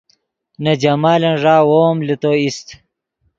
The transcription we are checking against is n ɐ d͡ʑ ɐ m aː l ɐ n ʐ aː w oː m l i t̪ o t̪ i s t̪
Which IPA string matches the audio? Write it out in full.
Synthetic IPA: n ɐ d͡ʑ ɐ m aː l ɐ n ʐ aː w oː m l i t̪ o i s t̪